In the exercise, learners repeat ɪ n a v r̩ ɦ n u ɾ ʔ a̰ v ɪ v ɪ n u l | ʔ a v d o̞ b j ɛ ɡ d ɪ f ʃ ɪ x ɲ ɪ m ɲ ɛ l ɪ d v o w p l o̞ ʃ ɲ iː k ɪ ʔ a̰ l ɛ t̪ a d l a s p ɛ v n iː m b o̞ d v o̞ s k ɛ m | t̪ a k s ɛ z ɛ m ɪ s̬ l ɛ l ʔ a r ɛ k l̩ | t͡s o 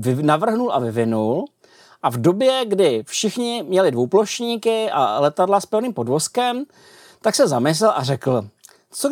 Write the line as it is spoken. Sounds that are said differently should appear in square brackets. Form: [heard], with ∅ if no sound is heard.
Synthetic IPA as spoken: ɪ n a v r̩ ɦ n u [l] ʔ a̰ v ɪ v ɪ n u l | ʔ a v d o̞ b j ɛ ɡ d ɪ f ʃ ɪ x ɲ ɪ m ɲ ɛ l ɪ d v o w p l o̞ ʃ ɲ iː k ɪ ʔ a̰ l ɛ t̪ a d l a s p ɛ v n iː m [p] o̞ d v o̞ s k ɛ m | t̪ a k s ɛ z [a] m ɪ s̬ l ɛ l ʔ a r ɛ k l̩ | t͡s o